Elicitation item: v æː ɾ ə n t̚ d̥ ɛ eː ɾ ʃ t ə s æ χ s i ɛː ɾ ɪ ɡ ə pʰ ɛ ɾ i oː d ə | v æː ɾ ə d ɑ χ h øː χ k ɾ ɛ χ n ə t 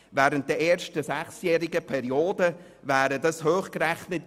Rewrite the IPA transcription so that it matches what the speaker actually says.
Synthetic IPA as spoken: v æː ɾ ə n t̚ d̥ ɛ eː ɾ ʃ t ə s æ χ s j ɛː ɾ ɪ ɡ ə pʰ ɛ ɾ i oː d ə | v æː ɾ ə d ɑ s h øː χ k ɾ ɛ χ n ə t